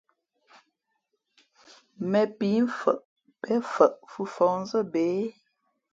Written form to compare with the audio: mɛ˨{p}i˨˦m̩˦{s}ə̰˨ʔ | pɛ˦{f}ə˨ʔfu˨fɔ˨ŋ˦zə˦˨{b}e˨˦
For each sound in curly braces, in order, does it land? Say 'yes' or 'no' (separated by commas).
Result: yes, no, yes, yes